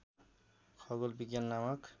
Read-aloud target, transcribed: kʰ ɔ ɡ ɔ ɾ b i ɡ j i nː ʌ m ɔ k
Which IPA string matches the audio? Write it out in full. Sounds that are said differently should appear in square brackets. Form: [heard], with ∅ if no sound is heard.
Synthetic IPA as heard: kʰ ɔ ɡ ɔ [l] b i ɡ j [a] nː [a] m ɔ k

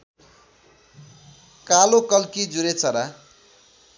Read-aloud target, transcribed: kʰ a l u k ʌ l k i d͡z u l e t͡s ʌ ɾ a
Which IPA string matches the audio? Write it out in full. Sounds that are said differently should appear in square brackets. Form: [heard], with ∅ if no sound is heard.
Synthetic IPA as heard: [k] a l [o] k ʌ l k i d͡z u [ɾ] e t͡s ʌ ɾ a

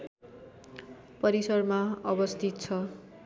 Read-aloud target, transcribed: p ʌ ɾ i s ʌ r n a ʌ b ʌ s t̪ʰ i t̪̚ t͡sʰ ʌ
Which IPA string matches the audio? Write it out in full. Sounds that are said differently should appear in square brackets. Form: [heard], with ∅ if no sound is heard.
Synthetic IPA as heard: p ʌ ɾ i s ʌ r [m] a ʌ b ʌ s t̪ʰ i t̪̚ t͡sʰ ʌ

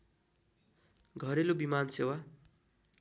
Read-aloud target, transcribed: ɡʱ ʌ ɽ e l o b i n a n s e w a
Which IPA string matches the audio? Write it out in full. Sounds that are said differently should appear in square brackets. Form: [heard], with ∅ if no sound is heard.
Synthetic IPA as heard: ɡʱ ʌ [ɾ] e l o b i [m] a n s e w a

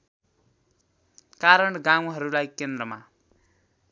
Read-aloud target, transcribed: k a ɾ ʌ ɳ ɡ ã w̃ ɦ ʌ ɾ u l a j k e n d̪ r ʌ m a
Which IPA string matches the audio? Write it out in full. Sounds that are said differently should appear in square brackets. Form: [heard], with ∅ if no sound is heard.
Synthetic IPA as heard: k a ɾ ʌ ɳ ɡ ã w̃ ɦ ʌ ɾ u l a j k e n d̪ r ʌ m a

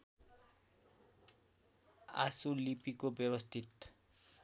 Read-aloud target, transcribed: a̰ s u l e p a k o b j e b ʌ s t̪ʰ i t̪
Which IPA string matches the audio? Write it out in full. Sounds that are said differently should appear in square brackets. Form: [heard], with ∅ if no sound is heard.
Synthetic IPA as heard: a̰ s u l [i] p [i] k o b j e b ʌ s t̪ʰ i t̪

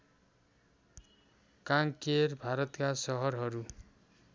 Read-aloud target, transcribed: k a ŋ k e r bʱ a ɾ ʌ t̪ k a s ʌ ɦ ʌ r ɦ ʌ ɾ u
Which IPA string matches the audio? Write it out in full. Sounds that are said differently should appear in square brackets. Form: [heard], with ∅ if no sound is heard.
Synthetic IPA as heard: k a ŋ k e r bʱ a ɾ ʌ t̪ k a s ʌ ɦ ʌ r ɦ ʌ ɾ u

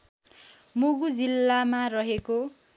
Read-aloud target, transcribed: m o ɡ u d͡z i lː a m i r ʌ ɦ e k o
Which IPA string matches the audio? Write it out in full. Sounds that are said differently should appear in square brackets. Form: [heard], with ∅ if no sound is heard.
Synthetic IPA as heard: m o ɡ u d͡z i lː a m [a] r ʌ ɦ e k o

